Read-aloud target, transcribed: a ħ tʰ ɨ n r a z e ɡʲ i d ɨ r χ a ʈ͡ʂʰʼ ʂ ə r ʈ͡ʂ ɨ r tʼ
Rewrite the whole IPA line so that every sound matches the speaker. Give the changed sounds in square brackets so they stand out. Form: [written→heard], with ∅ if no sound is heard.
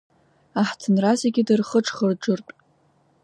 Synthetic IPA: a ħ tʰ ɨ n r a z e ɡʲ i d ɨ r χ [a→ə] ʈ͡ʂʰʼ [ʂ→χ] ə r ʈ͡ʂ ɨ r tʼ

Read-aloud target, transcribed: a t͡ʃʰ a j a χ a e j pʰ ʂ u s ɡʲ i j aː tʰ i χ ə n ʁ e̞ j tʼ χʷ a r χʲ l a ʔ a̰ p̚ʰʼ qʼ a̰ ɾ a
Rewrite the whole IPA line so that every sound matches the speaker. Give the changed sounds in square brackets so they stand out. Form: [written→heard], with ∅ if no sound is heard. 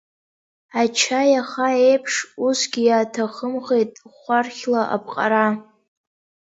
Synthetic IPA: a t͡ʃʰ a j a χ a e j pʰ ʂ u s ɡʲ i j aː tʰ [i→a] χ ə [n→m] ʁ e̞ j tʼ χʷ a r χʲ l a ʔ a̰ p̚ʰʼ qʼ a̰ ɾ a

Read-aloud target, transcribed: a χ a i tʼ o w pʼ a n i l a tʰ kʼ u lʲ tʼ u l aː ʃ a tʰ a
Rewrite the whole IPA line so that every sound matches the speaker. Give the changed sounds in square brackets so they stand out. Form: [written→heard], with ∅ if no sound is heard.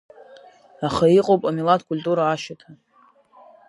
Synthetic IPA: a χ a i [tʼ→qʼ] o w pʼ a [n→m] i l a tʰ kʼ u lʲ tʼ u [l→ɾ] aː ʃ a tʰ a

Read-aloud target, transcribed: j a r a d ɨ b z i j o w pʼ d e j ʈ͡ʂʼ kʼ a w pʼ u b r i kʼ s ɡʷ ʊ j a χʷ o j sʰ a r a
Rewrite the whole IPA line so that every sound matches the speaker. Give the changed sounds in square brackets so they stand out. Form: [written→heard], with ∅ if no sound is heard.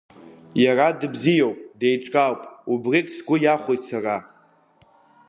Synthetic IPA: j a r a d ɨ b z i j o w pʼ d e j ʈ͡ʂʼ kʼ a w pʼ u b r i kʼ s ɡʷ ʊ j a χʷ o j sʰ a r a

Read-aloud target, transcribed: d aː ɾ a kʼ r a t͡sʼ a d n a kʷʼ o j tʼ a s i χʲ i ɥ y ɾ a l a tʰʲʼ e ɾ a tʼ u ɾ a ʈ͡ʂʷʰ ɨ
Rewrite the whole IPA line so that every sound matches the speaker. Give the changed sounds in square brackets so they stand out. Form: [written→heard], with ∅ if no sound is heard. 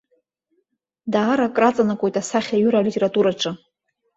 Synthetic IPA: d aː ɾ a kʼ r a t͡sʼ a [d→∅] n a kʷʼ o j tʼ a s [i→a] χʲ [i→a] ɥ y ɾ a l [a→i] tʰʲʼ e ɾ a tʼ u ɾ a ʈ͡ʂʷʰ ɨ

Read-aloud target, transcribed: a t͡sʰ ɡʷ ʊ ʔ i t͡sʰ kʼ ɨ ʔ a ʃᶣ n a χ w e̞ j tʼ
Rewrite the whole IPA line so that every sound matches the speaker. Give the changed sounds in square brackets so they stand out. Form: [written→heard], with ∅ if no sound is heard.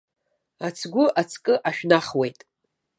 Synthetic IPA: a t͡sʰ ɡʷ ʊ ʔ [i→a] t͡sʰ kʼ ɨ ʔ a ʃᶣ n a χ w e̞ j tʼ

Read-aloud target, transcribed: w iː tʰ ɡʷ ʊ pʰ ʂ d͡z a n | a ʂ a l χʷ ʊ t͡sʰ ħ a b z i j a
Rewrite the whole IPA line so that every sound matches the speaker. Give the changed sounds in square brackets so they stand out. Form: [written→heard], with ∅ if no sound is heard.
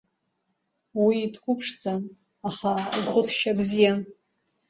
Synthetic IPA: w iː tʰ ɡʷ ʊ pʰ ʂ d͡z a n | a [ʂ→χ] a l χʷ ʊ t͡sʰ [ħ→ʃ] a b z i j a

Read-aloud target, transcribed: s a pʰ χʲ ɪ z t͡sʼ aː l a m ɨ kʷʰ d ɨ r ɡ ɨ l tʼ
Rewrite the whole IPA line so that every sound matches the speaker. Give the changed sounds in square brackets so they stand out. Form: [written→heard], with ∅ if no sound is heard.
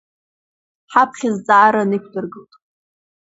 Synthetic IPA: [s→ħ] a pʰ χʲ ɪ z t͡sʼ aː [l→ɾ] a [m→n] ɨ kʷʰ d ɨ r ɡ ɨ l tʼ

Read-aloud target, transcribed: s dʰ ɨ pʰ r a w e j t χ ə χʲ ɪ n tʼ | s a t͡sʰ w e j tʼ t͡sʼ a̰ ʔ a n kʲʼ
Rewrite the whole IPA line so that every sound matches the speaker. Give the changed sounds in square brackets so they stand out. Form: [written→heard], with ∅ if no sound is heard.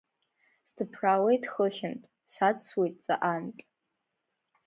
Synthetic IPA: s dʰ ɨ pʰ r a w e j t χ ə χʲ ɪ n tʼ | s a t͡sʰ w e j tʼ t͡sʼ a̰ ʔ a n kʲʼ

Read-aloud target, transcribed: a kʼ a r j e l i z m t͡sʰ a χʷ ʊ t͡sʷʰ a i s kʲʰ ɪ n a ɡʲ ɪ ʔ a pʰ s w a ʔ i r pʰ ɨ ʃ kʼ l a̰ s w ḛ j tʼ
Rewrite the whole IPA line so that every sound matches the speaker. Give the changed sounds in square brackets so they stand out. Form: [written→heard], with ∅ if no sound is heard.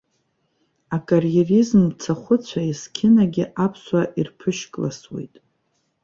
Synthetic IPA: a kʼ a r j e [l→r] i z m t͡sʰ a χʷ ʊ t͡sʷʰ a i s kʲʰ ɪ n a ɡʲ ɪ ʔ a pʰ s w a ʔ i r pʰ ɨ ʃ kʼ l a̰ s w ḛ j tʼ

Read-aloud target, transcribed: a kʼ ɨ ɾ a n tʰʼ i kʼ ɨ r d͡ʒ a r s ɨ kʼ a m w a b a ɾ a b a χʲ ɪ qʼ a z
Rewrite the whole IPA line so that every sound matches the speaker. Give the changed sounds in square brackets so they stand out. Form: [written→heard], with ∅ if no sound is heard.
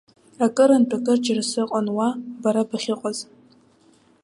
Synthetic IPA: a kʼ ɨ ɾ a n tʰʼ [i→a] kʼ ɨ r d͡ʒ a r s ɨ [kʼ→qʼ] a [m→n] w a b a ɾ a b a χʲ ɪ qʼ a z

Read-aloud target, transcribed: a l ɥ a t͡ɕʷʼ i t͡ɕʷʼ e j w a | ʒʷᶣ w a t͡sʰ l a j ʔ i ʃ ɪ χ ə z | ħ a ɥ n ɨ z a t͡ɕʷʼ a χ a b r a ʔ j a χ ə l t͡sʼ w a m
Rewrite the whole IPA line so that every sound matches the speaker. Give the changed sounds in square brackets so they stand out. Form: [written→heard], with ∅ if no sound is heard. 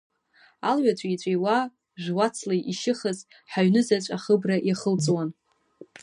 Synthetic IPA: a l ɥ a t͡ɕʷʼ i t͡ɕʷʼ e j w a | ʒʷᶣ w a t͡sʰ l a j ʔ i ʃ ɪ χ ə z | ħ a ɥ n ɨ z a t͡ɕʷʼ a χ [a→ə] b r a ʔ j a χ ə l t͡sʼ w a [m→n]

